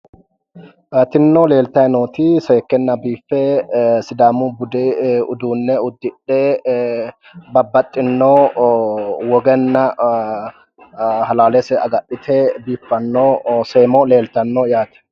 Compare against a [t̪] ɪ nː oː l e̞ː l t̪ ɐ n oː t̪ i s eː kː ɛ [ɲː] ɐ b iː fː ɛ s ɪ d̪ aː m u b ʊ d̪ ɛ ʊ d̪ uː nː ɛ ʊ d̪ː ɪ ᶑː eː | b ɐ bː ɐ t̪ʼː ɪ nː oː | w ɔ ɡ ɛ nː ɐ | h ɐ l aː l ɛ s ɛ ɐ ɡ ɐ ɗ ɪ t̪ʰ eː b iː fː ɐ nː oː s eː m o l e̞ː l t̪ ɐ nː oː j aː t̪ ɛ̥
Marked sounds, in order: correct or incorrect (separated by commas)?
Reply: correct, incorrect